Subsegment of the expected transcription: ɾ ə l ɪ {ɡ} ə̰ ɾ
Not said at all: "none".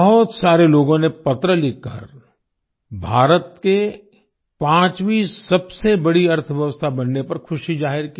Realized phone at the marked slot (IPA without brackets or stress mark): k